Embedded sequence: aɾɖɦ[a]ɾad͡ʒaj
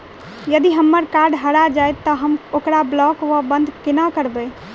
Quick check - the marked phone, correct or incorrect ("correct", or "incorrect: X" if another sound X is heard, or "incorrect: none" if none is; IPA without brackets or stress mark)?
incorrect: ə